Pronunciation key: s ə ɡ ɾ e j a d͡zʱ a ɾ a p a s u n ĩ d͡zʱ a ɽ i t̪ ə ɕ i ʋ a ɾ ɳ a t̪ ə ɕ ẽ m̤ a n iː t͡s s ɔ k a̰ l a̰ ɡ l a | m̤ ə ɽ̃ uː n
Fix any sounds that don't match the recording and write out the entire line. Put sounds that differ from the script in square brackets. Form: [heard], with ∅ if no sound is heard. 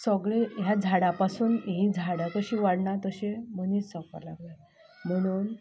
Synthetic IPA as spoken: s ə ɡ [ɭ] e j a d͡zʱ a [ɽ] a p a s [uː] n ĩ d͡zʱ a ɽ [a] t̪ ə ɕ i ʋ a [ɽ] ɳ a t̪ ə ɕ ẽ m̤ [ə] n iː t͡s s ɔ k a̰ l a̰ ɡ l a | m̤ ə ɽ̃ uː n